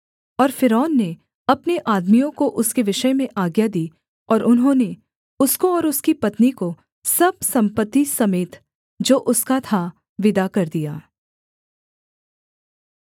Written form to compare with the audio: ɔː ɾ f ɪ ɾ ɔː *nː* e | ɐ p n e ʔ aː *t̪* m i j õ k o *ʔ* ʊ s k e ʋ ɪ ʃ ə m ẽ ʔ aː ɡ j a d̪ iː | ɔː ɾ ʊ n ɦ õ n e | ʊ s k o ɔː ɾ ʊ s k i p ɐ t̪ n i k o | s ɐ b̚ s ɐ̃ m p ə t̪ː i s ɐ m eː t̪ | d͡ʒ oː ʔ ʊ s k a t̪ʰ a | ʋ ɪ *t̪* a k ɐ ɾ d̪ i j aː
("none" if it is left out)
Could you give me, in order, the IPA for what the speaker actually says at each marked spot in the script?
nː, d̪, ʔ, d̪

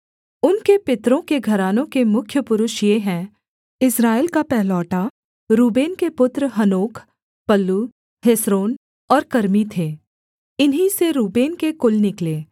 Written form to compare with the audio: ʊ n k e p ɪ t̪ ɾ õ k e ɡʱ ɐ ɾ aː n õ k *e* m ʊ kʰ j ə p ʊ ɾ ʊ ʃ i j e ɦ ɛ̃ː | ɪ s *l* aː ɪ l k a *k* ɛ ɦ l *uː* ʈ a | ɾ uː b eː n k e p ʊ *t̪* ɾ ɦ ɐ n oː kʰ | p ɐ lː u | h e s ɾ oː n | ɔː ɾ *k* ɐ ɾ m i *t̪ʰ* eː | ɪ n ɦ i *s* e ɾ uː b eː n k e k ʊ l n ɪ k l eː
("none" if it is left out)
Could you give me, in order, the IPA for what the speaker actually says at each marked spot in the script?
e, ɾ, p, ɔː, t̪, k, t̪ʰ, s

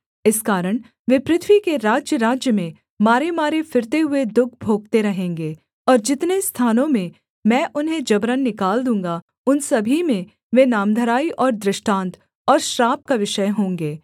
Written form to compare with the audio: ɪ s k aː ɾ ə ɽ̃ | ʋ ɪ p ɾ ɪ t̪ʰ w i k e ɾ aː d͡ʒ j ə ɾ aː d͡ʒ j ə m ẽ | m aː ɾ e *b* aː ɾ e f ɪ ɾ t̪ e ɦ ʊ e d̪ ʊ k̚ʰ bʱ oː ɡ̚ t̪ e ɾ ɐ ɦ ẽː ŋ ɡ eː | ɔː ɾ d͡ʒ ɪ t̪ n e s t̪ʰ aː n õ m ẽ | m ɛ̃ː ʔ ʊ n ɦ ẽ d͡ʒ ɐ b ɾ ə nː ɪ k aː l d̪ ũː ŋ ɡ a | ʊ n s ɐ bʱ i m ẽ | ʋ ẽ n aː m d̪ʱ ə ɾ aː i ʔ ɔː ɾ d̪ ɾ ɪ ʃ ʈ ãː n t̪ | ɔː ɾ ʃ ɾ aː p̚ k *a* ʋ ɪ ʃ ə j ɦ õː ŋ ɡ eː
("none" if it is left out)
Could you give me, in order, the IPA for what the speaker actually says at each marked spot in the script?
m, a

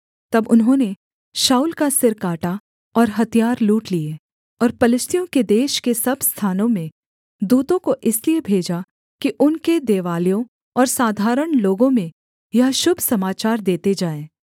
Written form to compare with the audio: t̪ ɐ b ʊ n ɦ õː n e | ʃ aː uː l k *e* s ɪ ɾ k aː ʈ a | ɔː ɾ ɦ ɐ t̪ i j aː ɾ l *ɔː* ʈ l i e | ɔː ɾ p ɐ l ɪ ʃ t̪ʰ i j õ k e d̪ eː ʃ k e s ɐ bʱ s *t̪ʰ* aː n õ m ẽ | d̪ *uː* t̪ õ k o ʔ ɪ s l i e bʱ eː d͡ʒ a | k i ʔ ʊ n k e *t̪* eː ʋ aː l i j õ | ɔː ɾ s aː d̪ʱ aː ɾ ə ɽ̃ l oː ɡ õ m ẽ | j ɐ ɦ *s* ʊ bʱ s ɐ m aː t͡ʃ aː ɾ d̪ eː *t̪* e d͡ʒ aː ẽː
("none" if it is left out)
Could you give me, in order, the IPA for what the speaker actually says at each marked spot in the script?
a, uː, t̪ʰ, uː, d̪, ʃ, t̪

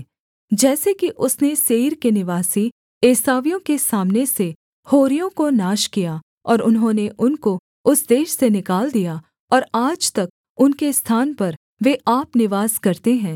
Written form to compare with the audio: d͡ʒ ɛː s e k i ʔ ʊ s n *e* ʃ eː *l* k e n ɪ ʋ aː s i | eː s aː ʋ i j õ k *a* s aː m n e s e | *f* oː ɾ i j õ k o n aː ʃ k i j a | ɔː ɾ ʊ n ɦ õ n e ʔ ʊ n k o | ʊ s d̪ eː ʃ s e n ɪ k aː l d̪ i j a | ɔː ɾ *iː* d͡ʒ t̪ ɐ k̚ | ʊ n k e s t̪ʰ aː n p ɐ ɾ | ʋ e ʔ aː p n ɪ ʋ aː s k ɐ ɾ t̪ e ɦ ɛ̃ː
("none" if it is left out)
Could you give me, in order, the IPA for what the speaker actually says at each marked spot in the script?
e, ɾ, e, h, aː

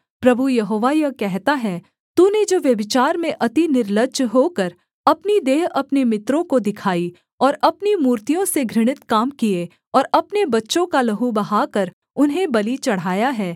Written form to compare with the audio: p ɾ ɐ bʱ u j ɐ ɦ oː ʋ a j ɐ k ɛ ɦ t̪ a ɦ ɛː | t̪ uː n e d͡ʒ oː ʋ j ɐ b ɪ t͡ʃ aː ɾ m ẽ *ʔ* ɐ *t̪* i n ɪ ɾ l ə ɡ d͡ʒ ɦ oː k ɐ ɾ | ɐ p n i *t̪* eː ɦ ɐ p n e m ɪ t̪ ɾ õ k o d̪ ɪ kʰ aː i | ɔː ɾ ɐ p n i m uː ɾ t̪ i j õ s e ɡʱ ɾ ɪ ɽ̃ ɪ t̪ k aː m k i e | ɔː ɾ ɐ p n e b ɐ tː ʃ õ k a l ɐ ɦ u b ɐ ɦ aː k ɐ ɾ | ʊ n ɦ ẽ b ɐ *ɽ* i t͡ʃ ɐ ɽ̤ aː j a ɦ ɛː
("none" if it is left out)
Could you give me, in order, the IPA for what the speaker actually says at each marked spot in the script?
ʔ, t̪, d̪, l

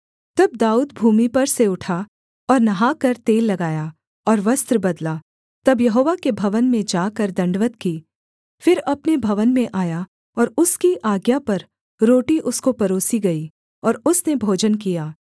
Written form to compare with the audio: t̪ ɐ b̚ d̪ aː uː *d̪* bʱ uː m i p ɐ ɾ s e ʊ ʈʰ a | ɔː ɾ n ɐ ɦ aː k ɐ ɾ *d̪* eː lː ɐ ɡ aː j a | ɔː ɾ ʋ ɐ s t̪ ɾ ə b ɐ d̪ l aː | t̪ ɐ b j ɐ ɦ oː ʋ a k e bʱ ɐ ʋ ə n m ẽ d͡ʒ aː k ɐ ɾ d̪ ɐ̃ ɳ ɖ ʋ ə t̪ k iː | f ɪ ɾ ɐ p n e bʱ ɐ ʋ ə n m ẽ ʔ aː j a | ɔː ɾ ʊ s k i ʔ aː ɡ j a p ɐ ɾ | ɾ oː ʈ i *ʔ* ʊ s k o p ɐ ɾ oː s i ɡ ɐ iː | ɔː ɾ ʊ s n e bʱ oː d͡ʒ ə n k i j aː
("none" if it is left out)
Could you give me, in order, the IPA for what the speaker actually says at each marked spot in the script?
d̪, t̪, ʔ

